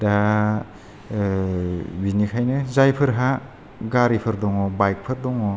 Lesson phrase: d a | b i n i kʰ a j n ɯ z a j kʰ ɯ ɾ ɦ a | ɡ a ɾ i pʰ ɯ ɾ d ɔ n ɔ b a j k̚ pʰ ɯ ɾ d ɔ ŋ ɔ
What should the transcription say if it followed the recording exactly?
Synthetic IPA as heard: d a | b i n i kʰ a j n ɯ z a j pʰ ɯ ɾ ɦ a | ɡ a ɾ i pʰ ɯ ɾ d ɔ ŋ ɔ b a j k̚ pʰ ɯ ɾ d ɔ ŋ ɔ